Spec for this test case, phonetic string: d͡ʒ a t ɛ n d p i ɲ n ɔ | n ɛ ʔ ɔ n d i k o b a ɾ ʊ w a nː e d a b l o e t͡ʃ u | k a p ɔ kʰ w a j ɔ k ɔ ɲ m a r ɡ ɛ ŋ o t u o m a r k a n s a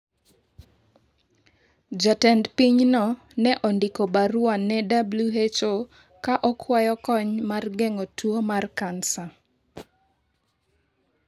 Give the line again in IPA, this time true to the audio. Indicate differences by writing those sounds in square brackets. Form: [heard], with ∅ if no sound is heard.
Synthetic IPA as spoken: d͡ʒ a t ɛ n d p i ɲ n ɔ | n ɛ ʔ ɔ n d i k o b a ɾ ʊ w a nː [ɛ] d a b l [u] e t͡ʃ [o] | k a [ʔ] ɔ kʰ w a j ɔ k ɔ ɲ m a r ɡ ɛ ŋ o t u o m a r k a n s a